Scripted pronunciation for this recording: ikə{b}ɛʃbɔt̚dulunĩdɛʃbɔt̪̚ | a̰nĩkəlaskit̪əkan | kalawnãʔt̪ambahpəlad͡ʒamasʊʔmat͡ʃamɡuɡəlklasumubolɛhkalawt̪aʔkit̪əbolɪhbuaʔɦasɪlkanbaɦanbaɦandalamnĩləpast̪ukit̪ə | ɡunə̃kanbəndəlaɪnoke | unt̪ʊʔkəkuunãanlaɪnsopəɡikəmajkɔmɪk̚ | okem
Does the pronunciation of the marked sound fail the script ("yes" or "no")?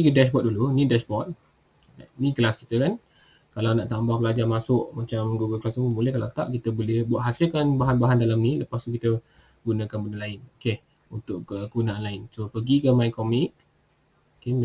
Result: yes